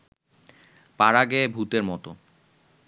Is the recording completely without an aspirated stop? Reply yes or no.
yes